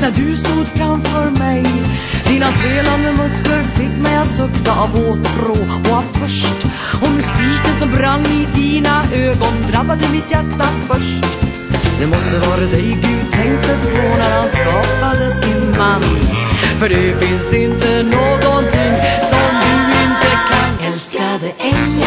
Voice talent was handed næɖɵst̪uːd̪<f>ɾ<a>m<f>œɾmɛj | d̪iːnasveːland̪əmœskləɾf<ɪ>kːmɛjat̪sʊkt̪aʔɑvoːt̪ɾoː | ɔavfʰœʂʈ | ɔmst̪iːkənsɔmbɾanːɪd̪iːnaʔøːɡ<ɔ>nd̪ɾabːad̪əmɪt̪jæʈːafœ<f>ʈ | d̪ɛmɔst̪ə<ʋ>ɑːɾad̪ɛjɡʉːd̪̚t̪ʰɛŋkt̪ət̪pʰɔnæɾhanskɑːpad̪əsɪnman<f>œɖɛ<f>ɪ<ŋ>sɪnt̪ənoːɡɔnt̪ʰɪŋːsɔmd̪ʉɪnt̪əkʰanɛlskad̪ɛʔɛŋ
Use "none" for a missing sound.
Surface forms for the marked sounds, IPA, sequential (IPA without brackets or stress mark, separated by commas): f, a, f, ɪ, ɔ, ʂ, v, f, f, n